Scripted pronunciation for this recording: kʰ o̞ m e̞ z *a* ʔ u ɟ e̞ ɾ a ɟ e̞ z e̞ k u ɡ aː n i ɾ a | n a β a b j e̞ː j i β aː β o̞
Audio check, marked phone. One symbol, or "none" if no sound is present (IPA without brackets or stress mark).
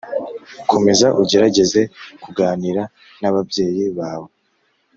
a